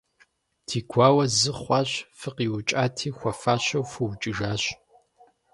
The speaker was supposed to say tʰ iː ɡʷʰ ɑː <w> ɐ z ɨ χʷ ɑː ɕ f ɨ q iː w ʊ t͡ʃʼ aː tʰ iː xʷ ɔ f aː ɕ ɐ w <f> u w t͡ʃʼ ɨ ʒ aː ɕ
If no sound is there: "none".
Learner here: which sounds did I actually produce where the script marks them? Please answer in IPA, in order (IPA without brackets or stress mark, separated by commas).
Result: w, f